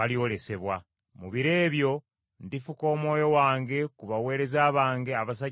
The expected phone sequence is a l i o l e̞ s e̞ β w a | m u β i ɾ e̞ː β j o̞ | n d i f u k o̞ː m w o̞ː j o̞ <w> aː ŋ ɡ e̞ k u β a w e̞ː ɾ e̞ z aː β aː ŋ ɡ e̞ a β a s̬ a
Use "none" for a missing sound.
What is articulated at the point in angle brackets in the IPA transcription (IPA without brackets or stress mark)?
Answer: w